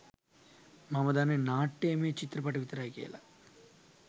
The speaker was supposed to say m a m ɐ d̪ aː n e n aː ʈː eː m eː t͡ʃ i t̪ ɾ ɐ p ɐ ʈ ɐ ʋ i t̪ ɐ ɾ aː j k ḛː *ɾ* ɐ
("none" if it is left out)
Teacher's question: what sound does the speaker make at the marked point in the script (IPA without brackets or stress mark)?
l